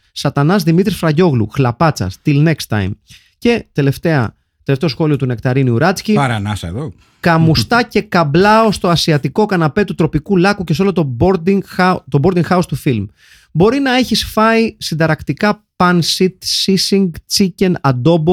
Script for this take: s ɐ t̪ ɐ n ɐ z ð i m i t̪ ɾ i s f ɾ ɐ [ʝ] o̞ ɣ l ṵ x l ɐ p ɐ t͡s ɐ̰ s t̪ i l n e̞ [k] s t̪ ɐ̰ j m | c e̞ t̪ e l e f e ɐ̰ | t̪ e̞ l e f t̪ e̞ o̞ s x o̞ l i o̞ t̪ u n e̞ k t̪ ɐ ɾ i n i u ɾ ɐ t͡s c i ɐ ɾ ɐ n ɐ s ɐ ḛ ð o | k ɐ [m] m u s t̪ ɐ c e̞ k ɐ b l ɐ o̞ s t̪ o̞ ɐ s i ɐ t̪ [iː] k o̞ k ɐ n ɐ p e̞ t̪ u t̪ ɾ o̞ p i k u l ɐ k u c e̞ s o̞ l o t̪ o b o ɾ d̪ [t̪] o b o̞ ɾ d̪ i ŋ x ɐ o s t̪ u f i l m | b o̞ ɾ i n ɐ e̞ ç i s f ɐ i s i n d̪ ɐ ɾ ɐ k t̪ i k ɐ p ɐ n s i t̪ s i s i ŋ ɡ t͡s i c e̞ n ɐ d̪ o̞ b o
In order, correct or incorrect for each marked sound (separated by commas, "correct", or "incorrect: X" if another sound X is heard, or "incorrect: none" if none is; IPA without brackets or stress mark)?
correct, correct, correct, incorrect: i, correct